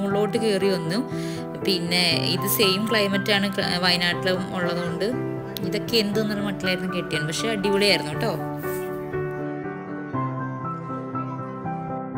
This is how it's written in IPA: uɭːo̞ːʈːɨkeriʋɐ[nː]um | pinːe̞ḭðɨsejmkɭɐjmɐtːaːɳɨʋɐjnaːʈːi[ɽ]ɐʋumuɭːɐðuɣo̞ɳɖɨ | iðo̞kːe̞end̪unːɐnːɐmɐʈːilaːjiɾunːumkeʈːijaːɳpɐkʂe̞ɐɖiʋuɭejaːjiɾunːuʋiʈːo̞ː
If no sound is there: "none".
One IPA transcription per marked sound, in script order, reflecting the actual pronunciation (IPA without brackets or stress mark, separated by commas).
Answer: nː, l